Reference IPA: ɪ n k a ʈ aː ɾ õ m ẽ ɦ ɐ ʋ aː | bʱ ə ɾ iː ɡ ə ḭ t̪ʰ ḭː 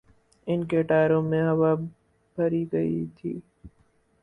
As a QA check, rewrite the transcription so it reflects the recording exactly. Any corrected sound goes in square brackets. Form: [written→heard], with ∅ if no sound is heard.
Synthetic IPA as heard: ɪ n k [a→e] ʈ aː ɾ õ m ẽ ɦ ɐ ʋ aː | bʱ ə ɾ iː ɡ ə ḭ t̪ʰ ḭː